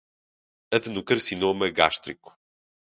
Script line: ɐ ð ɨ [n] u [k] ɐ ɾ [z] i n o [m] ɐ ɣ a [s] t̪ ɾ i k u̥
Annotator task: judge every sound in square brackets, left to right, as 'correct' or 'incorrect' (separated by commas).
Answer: correct, correct, incorrect, correct, incorrect